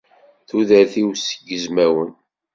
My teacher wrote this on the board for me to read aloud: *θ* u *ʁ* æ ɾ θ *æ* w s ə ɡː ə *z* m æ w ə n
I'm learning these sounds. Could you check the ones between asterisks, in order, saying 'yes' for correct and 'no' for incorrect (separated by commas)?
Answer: yes, no, no, yes